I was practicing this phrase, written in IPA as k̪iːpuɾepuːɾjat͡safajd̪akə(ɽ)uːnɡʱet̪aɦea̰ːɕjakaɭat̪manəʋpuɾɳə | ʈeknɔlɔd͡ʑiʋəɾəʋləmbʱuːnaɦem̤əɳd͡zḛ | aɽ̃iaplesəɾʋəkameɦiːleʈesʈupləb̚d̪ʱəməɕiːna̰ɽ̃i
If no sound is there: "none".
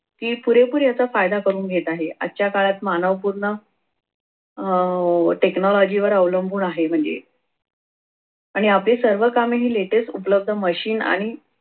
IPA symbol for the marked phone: ɾ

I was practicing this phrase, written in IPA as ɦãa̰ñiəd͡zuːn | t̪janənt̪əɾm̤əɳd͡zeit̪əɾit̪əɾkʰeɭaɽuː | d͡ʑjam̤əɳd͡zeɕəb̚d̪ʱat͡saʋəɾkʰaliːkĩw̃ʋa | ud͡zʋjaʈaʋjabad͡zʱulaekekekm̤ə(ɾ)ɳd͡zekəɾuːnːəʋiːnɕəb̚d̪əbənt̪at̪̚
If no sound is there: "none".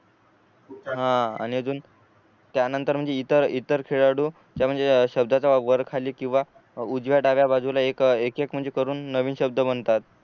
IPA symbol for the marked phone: none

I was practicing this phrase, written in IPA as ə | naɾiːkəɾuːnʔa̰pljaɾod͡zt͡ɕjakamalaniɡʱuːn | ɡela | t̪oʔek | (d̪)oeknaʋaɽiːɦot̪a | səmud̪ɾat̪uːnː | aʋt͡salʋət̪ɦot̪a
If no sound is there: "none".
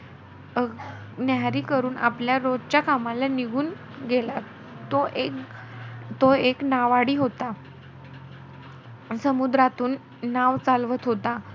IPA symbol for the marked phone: t̪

